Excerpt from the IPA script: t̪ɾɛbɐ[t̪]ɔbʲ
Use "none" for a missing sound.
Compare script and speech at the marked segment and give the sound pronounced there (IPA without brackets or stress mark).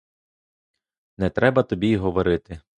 t̪